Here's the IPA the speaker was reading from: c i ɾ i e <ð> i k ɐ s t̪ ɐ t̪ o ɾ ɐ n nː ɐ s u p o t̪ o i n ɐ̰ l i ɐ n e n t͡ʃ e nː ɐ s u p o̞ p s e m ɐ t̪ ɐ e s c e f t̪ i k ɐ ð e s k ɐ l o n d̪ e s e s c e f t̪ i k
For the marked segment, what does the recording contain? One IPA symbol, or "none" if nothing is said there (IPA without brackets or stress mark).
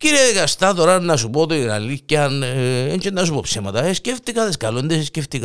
ð